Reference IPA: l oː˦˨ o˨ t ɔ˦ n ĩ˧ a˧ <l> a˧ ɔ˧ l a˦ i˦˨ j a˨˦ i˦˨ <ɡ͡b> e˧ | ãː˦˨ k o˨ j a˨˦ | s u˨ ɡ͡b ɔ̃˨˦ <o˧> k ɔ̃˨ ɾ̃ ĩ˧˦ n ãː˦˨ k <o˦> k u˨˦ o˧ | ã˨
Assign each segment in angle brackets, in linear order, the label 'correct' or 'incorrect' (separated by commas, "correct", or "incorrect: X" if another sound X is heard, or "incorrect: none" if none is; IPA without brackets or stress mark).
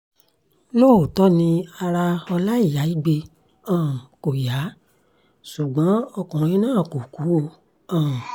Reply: incorrect: ɾ, correct, incorrect: ɔ˧, incorrect: o˨